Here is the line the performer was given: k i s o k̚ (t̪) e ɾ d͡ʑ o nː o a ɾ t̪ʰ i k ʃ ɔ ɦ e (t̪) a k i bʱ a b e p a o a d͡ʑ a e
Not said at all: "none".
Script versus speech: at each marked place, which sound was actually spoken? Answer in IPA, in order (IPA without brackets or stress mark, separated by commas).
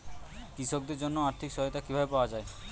d̪, t̪